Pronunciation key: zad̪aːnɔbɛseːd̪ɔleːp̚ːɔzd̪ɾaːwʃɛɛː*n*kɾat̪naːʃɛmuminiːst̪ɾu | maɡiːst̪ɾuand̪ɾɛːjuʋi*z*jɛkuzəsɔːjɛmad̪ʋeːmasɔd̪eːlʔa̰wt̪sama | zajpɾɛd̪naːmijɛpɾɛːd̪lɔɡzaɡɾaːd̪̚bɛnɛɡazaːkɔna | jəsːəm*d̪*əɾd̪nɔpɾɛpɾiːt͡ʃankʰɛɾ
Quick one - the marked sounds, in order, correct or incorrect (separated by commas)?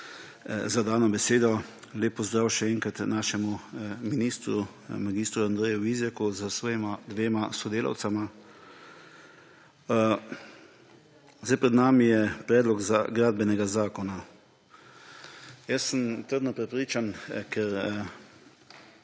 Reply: incorrect, correct, incorrect